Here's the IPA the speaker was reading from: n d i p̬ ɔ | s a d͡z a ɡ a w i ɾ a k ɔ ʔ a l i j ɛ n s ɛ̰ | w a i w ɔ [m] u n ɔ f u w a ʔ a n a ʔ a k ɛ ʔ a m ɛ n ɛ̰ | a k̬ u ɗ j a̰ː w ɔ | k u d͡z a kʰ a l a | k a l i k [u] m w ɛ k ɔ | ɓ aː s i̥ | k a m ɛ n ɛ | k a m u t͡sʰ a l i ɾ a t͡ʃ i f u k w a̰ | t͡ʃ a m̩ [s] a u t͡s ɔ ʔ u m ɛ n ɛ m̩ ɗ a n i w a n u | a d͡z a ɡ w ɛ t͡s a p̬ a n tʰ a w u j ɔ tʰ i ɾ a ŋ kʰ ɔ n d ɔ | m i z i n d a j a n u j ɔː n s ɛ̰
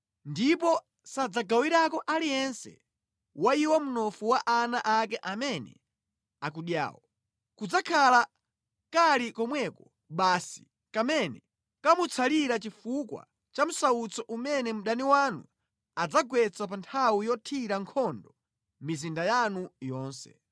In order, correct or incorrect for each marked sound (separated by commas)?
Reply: correct, incorrect, correct